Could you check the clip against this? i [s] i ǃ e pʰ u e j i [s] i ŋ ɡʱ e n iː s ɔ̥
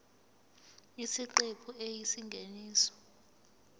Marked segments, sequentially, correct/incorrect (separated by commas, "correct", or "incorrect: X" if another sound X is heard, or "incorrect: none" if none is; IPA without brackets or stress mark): correct, correct